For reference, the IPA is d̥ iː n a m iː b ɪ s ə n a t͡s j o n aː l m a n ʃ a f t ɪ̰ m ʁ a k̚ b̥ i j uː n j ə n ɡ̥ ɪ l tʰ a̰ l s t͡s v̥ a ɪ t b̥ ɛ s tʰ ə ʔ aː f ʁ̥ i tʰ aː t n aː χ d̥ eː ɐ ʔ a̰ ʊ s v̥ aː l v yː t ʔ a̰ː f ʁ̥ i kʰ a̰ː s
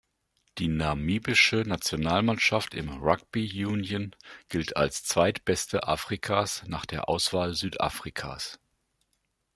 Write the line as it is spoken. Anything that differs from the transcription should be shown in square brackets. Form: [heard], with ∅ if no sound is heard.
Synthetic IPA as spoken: d̥ iː n a m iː b ɪ [ʃ] ə n a t͡s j o n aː l m a n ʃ a f t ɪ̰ m ʁ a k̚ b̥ i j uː n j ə n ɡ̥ ɪ l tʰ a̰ l s t͡s v̥ a ɪ t b̥ ɛ s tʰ ə ʔ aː f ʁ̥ i [kʰ] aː [s] n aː χ d̥ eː ɐ ʔ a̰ ʊ s v̥ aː l [z] yː t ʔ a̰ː f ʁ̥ i kʰ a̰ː s